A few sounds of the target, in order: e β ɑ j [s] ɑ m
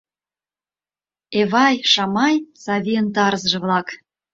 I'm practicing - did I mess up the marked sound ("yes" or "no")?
yes